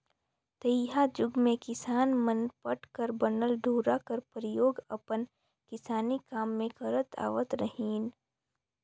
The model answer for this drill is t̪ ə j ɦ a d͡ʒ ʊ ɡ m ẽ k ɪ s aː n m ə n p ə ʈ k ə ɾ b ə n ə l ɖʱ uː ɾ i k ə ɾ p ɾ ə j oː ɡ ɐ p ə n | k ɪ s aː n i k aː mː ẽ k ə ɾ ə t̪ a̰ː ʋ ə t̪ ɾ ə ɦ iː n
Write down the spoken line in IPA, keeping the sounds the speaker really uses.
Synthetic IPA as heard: t̪ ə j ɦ a d͡ʒ ʊ ɡ m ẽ k ɪ s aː n m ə n p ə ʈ k ə ɾ b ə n ə l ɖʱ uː ɾ a k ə ɾ p ɾ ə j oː ɡ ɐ p ə n | k ɪ s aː n i k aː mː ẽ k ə ɾ ə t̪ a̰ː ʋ ə t̪ ɾ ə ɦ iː n